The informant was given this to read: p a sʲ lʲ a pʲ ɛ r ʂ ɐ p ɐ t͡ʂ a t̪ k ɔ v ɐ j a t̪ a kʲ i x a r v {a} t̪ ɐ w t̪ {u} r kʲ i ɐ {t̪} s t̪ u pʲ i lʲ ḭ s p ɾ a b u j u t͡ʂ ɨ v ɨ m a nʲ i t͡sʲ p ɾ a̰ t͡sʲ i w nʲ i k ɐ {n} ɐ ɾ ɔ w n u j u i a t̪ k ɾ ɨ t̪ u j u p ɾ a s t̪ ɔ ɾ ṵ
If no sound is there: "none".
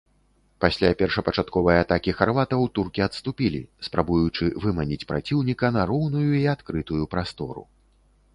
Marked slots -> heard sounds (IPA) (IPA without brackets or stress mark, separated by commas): a, u, t̪, n